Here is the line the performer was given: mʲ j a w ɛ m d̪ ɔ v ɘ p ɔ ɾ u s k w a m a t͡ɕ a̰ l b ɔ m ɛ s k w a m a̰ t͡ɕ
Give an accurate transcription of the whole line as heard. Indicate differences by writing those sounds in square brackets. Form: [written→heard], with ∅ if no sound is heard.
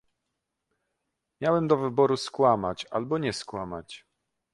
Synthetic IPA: mʲ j a w ɛ m d̪ ɔ v ɘ [p→b] ɔ ɾ u s k w a m a t͡ɕ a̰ l b ɔ [m→ɲ] ɛ s k w a m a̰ t͡ɕ